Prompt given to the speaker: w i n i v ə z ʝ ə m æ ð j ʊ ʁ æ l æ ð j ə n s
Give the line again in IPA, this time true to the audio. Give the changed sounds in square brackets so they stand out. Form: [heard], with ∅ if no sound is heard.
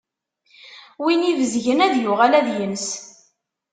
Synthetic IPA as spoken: w i n i v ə z ʝ ə [n] æ ð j ʊ ʁ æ l æ ð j ə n s